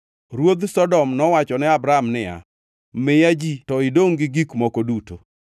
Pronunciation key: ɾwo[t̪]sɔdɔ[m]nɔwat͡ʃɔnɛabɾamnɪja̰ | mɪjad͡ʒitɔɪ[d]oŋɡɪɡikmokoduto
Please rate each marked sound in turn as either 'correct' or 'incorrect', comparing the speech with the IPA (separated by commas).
incorrect, correct, correct